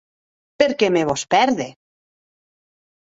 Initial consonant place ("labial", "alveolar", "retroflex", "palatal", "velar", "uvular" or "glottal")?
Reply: labial